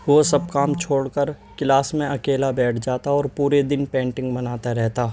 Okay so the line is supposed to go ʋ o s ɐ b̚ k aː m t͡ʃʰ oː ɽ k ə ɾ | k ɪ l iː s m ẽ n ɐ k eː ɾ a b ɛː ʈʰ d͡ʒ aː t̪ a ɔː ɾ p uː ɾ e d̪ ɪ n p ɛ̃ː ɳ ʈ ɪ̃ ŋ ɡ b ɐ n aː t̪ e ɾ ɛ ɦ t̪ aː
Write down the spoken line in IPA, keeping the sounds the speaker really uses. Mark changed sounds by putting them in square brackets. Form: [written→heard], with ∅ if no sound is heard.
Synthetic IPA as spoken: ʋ o s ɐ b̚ k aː m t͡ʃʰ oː ɽ k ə ɾ | k ɪ l [iː→aː] s m ẽ [n→∅] ɐ k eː [ɾ→l] a b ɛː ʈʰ d͡ʒ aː t̪ a ɔː ɾ p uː ɾ e d̪ ɪ n p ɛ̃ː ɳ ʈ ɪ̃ ŋ ɡ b ɐ n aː t̪ [e→a] ɾ ɛ ɦ t̪ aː

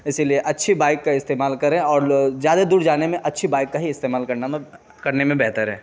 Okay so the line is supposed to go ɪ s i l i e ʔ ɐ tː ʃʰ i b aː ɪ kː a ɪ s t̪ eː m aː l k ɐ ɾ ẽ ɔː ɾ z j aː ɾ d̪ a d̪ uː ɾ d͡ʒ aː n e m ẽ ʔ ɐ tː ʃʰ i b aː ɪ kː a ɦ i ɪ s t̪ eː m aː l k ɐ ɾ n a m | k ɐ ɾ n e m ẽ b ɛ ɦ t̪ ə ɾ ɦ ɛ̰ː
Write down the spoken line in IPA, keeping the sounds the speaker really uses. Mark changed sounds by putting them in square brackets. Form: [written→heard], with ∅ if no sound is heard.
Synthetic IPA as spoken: ɪ s i l i e ʔ ɐ tː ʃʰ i b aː ɪ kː a ɪ s t̪ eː m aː l k ɐ ɾ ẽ ɔː ɾ z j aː [ɾ→∅] d̪ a d̪ uː ɾ d͡ʒ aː n e m ẽ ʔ ɐ tː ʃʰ i b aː ɪ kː a ɦ i ɪ s t̪ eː m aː l k ɐ ɾ n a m | k ɐ ɾ n e m ẽ b ɛ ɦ t̪ ə ɾ ɦ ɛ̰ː

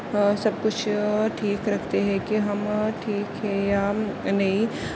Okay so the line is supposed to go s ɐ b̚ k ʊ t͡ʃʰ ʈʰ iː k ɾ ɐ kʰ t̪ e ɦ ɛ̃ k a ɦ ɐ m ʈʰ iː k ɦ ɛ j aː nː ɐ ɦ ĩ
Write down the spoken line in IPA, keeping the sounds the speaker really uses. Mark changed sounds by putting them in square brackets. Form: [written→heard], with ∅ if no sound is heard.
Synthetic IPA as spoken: s ɐ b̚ k ʊ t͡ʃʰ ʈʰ iː k ɾ ɐ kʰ t̪ e ɦ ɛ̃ k [a→i] ɦ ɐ m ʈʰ iː k ɦ ɛ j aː [nː→n] ɐ ɦ ĩ

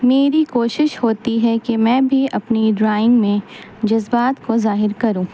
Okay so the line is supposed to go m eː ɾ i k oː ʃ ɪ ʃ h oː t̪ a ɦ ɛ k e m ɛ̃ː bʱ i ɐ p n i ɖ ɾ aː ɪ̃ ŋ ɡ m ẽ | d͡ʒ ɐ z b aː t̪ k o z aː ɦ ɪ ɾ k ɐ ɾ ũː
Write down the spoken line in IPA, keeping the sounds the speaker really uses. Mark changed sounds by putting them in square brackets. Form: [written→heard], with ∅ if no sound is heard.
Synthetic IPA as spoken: m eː ɾ i k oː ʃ ɪ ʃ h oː t̪ [a→i] ɦ ɛ k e m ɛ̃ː bʱ i ɐ p n i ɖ ɾ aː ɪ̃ ŋ ɡ m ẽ | d͡ʒ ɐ z b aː t̪ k o z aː ɦ ɪ ɾ k ɐ ɾ ũː

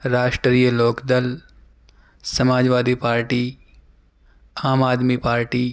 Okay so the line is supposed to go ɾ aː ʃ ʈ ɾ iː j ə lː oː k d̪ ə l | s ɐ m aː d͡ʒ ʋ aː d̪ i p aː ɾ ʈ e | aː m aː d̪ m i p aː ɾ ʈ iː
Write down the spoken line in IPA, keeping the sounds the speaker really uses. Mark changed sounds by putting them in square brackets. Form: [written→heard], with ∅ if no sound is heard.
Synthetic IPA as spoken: ɾ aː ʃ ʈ ɾ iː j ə [lː→l] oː k d̪ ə l | s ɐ m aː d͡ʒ ʋ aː d̪ i p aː ɾ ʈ [e→i] | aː m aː d̪ m i p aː ɾ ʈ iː

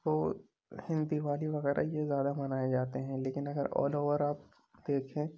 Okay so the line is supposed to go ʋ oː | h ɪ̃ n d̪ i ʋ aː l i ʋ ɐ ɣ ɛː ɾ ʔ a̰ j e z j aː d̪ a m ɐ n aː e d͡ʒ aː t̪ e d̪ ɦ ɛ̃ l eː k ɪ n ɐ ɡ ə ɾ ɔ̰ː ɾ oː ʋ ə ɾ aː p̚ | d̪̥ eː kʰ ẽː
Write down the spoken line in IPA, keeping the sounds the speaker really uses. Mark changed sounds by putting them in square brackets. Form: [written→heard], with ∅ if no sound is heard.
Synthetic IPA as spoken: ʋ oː | h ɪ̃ n d̪ i ʋ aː l i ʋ ɐ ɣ ɛː ɾ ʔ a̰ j e z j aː d̪ a m ɐ n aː e d͡ʒ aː t̪ e [d̪→∅] ɦ ɛ̃ l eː k ɪ n ɐ ɡ ə ɾ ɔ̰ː [ɾ→l] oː ʋ ə ɾ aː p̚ | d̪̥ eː kʰ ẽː

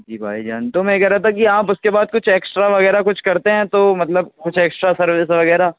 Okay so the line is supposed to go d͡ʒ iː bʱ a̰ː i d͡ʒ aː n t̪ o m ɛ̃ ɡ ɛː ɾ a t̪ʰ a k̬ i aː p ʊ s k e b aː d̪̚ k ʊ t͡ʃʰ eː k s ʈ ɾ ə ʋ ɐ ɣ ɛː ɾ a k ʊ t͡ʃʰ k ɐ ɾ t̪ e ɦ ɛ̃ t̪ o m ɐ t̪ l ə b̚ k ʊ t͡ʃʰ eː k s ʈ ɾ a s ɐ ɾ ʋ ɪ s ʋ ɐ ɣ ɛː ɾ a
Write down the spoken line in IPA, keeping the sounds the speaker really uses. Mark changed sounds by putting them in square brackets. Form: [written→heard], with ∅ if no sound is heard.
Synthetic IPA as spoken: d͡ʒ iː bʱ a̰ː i d͡ʒ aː n t̪ o m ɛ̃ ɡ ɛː ɾ a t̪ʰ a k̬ i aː p ʊ s k e b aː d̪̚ k ʊ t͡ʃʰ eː k s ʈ ɾ [ə→a] ʋ ɐ ɣ ɛː ɾ a k ʊ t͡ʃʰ k ɐ ɾ t̪ e ɦ ɛ̃ t̪ o m ɐ t̪ l ə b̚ k ʊ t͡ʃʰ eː k s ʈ ɾ a s ɐ ɾ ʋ ɪ s ʋ ɐ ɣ ɛː ɾ a

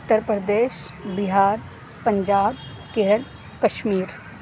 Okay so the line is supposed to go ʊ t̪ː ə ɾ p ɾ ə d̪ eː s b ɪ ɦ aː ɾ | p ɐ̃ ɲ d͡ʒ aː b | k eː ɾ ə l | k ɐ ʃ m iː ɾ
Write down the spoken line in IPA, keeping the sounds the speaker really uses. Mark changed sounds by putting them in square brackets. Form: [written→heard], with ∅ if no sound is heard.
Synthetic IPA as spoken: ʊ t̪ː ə ɾ p ɾ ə d̪ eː [s→ʃ] b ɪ ɦ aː ɾ | p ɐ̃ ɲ d͡ʒ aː b | k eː ɾ ə l | k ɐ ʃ m iː ɾ

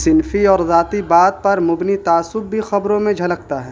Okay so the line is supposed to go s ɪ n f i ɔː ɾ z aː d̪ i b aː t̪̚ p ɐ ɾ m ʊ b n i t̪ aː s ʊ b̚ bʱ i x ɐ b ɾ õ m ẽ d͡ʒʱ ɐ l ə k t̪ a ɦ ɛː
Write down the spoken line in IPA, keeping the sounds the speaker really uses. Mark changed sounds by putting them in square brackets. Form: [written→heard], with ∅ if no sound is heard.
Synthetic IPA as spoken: s ɪ n f i ɔː ɾ z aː [d̪→t̪] i b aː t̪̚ p ɐ ɾ m ʊ b n i t̪ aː s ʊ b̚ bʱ i x ɐ b ɾ õ m ẽ d͡ʒʱ ɐ l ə k t̪ a ɦ ɛː

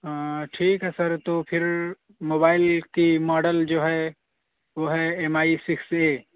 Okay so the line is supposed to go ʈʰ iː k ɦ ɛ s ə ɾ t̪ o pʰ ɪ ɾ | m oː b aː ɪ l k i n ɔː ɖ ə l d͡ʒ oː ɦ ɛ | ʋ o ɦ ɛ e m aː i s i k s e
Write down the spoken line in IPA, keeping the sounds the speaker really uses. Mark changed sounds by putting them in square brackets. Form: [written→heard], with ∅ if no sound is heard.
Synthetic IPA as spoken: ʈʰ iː k ɦ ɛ s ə ɾ t̪ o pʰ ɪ ɾ | m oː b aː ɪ l k i [n→m] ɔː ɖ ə l d͡ʒ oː ɦ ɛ | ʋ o ɦ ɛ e m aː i s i k s e

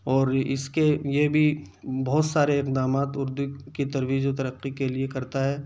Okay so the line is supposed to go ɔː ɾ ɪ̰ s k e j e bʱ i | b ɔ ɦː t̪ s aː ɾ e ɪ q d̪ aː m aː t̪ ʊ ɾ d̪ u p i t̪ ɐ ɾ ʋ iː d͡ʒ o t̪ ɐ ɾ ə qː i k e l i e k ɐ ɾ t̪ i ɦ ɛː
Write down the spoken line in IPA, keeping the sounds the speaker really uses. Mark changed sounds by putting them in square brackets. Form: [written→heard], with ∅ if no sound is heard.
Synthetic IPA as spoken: ɔː ɾ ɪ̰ s k e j e bʱ i | b ɔ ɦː t̪ s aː ɾ e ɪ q d̪ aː m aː t̪ ʊ ɾ d̪ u [p→k] i t̪ ɐ ɾ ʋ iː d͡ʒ o t̪ ɐ ɾ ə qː i k e l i e k ɐ ɾ t̪ [i→a] ɦ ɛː

